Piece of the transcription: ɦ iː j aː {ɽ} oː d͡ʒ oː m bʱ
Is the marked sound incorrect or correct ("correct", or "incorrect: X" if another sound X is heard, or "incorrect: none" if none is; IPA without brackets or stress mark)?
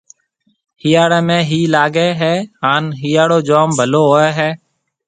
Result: correct